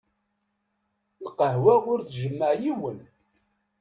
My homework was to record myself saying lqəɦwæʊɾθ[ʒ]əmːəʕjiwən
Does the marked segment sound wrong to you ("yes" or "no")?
no